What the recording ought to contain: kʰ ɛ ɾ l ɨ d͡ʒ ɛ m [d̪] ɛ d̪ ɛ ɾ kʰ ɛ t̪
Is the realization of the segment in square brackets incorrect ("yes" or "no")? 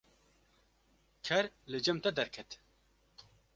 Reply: yes